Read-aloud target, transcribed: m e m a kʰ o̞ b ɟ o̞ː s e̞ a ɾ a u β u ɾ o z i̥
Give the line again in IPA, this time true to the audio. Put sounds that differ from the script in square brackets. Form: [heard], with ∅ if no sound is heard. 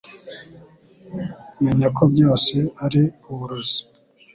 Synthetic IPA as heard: m e [ɲ] a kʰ o̞ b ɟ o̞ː s e̞ a ɾ [i] u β u ɾ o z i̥